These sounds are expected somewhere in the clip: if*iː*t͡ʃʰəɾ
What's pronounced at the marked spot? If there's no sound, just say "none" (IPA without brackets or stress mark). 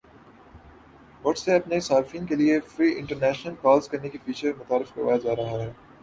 iː